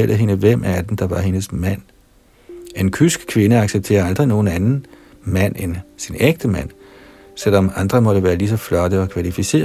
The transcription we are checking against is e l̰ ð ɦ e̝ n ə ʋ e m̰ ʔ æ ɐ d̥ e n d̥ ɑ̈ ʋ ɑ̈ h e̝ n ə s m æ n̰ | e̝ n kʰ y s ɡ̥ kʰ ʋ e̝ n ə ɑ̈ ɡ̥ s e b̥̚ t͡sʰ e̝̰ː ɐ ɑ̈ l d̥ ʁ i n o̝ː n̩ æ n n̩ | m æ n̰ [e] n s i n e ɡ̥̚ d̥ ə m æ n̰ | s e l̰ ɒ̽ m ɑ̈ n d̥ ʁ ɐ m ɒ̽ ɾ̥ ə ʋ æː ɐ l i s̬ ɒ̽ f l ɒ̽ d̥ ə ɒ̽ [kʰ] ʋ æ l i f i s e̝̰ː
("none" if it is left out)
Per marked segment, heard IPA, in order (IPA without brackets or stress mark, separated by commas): e, kʰ